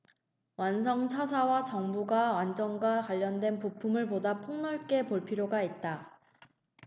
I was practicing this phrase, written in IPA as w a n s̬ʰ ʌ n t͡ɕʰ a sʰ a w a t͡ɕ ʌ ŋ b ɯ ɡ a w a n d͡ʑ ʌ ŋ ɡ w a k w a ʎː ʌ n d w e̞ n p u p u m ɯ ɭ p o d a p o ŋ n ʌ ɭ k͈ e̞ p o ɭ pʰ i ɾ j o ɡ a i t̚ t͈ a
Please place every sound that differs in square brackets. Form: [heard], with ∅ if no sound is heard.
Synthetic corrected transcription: w a n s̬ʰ ʌ [ŋ] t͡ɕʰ a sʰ a w a t͡ɕ ʌ ŋ b [u] ɡ a w a n d͡ʑ ʌ ŋ ɡ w a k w a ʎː ʌ n d w e̞ n p u [pʰ] u m ɯ ɭ p o d a [pʰ] o ŋ n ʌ ɭ k͈ e̞ p o ɭ pʰ i ɾ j o ɡ a i t̚ t͈ a